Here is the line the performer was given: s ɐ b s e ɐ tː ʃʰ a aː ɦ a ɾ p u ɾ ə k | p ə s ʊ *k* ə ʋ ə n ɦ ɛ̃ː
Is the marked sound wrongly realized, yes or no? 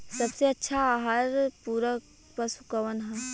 no